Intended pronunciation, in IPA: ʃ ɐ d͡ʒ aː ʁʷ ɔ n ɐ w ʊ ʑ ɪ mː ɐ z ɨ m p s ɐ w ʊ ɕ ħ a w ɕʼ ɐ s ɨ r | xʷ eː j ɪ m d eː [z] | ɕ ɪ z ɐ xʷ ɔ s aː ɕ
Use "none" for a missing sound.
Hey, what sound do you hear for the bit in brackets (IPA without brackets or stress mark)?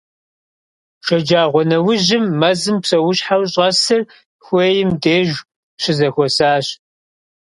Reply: ʒ